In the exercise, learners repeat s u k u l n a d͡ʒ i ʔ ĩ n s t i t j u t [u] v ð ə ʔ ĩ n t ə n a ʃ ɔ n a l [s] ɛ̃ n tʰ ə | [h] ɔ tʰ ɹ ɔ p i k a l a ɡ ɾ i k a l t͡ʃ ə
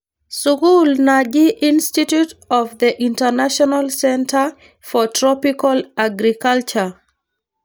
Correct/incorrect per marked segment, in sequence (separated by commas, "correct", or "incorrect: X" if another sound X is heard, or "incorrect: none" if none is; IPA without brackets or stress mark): incorrect: ɔ, correct, incorrect: f